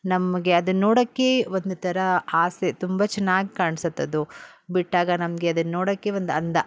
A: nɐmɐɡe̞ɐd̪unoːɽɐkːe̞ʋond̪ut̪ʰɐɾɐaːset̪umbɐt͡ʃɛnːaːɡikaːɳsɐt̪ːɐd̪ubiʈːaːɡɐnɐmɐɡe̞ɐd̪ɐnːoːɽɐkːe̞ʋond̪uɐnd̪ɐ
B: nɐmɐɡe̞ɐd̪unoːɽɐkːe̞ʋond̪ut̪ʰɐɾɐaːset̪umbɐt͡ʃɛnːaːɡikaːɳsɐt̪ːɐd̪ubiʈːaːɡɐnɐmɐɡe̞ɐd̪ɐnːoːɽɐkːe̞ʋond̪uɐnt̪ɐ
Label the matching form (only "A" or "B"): A